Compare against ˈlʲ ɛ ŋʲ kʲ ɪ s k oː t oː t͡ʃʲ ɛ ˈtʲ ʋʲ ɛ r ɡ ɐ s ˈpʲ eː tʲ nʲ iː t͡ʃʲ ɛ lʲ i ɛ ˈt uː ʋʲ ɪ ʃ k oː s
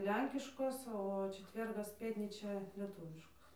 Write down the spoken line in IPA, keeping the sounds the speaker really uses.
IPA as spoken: ˈlʲ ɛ ŋʲ kʲ ɪ ʃ k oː s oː t͡ʃʲ ɛ ˈtʲ ʋʲ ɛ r ɡ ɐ s ˈpʲ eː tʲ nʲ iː t͡ʃʲ ɛ lʲ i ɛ ˈt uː ʋʲ ɪ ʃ k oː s